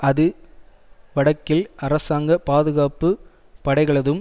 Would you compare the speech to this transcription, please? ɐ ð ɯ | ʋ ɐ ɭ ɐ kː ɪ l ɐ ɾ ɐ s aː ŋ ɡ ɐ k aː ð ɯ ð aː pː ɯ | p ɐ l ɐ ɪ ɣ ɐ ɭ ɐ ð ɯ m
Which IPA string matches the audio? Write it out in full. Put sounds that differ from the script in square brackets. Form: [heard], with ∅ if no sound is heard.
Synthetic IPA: ɐ ð ɯ | ʋ ɐ [ɽ] ɐ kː ɪ l ɐ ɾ ɐ s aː ŋ ɡ ɐ [p] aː ð ɯ [ɣ] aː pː ɯ | p ɐ [ɽ] ɐ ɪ ɣ ɐ ɭ ɐ ð ɯ m